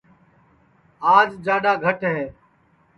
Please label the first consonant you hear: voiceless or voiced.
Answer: voiced